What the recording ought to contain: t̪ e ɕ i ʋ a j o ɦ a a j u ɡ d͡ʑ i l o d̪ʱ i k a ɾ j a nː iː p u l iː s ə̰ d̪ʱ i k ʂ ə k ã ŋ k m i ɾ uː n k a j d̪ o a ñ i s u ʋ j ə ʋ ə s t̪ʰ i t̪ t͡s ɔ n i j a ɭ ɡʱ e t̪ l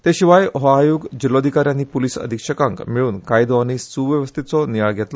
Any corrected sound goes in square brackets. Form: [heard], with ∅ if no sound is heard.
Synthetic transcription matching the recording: t̪ e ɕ i ʋ a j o ɦ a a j u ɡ d͡ʑ i l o d̪ʱ i k a ɾ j a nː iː p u l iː s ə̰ d̪ʱ i k ʂ ə k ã ŋ k m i [ɭ] uː n k a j d̪ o a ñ i s u ʋ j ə ʋ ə s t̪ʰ i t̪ t͡s ɔ n i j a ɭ ɡʱ e t̪ l